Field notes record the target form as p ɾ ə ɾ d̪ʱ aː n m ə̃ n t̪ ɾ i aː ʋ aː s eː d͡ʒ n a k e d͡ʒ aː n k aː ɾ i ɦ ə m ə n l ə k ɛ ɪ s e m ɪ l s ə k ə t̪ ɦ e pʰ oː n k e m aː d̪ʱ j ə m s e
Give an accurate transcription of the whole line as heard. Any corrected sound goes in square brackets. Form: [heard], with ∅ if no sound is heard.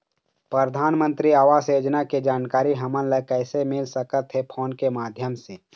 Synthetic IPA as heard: p ɾ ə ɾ d̪ʱ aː n m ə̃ n t̪ ɾ i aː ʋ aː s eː d͡ʒ n a k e d͡ʒ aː n k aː ɾ i ɦ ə m ə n l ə k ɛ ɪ s e m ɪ l s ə k ə t̪ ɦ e pʰ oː n k e m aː d̪ʱ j ə m s e